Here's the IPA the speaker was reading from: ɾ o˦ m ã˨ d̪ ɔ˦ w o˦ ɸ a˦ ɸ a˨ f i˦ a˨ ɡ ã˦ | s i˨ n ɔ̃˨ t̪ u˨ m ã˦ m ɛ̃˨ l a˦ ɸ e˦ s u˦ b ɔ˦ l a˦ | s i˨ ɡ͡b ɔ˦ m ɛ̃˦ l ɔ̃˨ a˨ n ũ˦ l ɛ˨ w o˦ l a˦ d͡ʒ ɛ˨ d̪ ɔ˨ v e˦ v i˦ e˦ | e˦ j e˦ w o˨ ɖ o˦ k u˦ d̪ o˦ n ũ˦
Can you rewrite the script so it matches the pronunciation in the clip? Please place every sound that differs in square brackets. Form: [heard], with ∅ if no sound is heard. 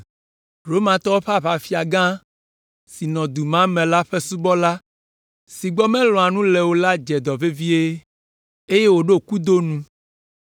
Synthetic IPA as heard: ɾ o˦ m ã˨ [t̪] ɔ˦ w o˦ ɸ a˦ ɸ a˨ f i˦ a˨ ɡ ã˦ | s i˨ n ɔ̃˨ [d̪] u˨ m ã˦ m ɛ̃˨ l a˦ ɸ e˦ s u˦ b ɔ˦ l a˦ | s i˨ ɡ͡b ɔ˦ m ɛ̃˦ l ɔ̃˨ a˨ n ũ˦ l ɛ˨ w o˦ l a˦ d͡ʒ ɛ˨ d̪ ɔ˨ v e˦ v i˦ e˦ | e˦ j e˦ w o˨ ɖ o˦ k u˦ d̪ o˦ n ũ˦

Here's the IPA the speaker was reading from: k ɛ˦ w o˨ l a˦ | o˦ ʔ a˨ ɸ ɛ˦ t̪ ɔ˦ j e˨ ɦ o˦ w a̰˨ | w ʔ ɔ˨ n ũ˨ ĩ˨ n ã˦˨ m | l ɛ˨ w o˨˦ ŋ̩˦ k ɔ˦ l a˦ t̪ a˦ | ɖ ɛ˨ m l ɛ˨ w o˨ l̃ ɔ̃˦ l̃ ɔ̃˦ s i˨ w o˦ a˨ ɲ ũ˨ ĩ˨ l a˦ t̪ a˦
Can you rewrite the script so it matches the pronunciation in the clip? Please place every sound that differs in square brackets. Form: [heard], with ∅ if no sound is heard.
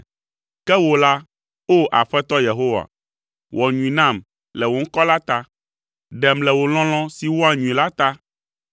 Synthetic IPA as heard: k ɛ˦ w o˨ l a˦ | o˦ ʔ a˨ ɸ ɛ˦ t̪ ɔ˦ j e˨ ɦ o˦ w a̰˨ | w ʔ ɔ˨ [ɲ] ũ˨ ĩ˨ n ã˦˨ m | l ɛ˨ w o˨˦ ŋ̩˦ k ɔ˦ l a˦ t̪ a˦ | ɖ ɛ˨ m l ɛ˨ w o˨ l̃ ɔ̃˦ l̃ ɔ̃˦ s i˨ w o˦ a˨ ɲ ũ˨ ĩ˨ l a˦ t̪ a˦

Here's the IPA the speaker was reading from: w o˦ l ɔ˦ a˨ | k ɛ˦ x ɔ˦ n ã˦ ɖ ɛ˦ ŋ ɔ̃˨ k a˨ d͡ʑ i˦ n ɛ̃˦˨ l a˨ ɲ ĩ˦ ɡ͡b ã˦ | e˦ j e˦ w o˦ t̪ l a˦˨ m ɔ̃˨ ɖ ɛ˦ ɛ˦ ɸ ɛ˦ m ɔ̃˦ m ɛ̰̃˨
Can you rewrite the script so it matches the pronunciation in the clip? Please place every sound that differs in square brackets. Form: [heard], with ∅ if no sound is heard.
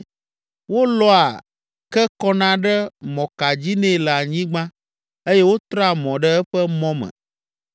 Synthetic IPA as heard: w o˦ l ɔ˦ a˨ | k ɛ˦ [k] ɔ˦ n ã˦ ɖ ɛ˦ [m] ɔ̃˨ k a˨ d͡ʑ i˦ n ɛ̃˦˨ l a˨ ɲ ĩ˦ ɡ͡b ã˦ | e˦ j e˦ w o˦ t̪ [ɾ] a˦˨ m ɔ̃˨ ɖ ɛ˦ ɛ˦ ɸ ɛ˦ m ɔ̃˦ m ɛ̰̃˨

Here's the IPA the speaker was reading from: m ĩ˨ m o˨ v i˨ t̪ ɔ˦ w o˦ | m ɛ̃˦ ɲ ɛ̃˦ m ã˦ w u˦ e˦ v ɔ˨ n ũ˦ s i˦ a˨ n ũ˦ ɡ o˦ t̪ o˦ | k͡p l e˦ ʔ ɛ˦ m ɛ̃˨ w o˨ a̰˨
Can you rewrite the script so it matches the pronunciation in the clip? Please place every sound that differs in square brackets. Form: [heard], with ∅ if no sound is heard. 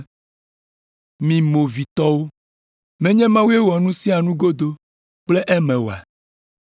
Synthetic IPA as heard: m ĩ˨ m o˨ v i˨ t̪ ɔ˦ w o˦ | m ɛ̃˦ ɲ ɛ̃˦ m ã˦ w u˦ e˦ [w] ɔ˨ n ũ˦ s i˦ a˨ n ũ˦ ɡ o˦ [d̪] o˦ | k͡p l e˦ ʔ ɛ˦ m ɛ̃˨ w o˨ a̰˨

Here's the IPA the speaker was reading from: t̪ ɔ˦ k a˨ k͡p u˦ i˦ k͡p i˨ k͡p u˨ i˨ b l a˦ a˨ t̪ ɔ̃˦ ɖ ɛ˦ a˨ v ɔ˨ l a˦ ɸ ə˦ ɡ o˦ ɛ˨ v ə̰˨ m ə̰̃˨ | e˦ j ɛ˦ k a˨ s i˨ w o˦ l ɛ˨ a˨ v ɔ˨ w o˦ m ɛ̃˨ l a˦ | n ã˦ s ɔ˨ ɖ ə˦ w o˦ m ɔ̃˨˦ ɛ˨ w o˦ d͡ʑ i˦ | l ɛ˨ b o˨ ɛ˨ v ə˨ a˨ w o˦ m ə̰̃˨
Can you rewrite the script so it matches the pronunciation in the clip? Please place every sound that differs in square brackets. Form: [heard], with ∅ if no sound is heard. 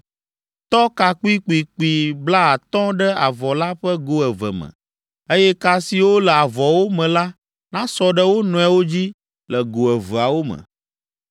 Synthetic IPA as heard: t̪ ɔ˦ k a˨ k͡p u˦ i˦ k͡p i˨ k͡p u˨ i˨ b l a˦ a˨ t̪ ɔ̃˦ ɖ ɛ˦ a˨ v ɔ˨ l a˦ ɸ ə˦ ɡ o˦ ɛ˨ v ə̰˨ m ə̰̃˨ | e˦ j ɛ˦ k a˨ s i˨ w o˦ l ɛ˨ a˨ v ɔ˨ w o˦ m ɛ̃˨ l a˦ | n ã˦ s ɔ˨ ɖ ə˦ w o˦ [n] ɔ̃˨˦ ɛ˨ w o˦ d͡ʑ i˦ | l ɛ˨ [ɡ] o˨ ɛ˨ v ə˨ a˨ w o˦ m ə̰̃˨

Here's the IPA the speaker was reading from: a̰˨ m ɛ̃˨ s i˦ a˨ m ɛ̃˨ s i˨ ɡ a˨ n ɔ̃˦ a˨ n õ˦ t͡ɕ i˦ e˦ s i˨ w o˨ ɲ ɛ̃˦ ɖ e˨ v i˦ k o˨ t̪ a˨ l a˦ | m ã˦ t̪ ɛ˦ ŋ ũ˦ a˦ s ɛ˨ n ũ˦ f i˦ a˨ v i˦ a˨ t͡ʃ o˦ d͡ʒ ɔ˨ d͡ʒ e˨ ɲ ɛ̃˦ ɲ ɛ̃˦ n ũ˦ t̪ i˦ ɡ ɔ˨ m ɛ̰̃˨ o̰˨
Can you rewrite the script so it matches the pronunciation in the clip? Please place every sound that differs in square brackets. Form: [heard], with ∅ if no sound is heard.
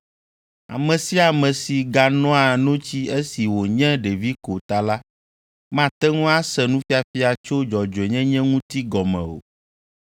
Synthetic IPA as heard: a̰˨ m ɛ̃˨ s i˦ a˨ m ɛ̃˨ s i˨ ɡ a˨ n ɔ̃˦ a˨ n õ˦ t͡ɕ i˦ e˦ s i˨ w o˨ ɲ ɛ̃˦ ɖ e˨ v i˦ k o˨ t̪ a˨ l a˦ | m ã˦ t̪ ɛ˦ ŋ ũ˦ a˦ s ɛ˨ n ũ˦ f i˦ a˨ [f] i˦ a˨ t͡ʃ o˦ d͡ʒ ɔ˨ d͡ʒ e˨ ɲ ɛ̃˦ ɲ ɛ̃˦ [ŋ] ũ˦ t̪ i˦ ɡ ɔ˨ m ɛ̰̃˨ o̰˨

